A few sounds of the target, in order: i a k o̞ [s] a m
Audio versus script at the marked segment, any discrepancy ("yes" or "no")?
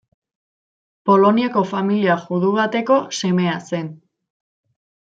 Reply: yes